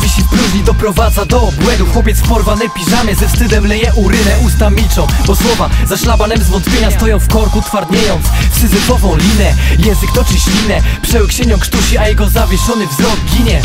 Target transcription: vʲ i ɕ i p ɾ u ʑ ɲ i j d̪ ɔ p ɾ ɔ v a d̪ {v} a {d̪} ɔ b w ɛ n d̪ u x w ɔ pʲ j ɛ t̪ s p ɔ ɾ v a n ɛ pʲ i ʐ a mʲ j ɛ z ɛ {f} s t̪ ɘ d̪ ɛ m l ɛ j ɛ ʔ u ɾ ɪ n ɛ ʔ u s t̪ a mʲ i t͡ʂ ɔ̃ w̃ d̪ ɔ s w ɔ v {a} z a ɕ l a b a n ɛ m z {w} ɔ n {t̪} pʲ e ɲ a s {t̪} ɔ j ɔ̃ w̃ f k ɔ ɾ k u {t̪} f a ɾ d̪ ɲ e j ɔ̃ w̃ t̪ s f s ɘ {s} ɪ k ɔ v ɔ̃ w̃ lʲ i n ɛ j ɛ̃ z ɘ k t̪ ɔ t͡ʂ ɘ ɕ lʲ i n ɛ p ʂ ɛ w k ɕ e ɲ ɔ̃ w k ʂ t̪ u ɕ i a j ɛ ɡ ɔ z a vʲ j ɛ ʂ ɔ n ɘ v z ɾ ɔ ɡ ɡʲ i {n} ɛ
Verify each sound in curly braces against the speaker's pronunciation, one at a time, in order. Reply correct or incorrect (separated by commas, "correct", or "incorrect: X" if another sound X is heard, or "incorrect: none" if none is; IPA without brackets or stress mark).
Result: incorrect: z, correct, correct, correct, incorrect: v, correct, correct, correct, incorrect: z, incorrect: ɲ